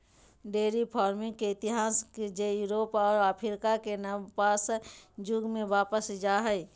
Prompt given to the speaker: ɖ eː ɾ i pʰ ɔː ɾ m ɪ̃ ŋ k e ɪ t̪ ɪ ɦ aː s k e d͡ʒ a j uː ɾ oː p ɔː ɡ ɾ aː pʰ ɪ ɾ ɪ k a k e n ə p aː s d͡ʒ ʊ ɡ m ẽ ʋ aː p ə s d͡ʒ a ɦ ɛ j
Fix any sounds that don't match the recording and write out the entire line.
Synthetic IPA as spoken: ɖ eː ɾ i pʰ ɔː ɾ m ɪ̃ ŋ k e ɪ t̪ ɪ ɦ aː s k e d͡ʒ e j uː ɾ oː p ɔː ɾ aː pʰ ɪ ɾ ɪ k a k e n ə p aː s d͡ʒ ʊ ɡ m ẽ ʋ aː p ə s d͡ʒ a ɦ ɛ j